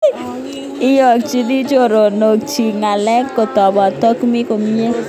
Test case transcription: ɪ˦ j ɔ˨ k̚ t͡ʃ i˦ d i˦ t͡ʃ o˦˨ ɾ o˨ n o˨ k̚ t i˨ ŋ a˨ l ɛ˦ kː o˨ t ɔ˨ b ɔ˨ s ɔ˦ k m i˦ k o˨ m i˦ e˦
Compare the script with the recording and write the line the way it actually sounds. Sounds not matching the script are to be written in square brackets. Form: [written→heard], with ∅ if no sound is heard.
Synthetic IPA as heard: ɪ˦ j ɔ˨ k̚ t͡ʃ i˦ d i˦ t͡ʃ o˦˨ ɾ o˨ n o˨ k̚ [t→t͡ʃ] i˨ ŋ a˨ l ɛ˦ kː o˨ t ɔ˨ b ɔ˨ [s→t] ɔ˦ k m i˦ k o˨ m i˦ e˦